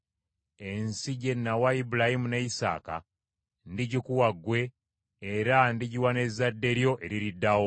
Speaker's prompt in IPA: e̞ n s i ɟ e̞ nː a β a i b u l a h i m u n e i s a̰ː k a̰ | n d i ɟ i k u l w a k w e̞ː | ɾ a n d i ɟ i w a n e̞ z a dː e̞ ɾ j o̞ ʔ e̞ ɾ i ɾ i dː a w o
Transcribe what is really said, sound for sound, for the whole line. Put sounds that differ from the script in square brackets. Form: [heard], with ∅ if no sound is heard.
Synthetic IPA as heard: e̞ n s i ɟ e̞ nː a [w] a i b u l a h i m u n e i s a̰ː k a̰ | n d i ɟ i k u [∅] w a [ɡ] w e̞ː | ɾ a n d i ɟ i w a n e̞ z a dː e̞ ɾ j o̞ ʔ e̞ ɾ i ɾ i dː a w o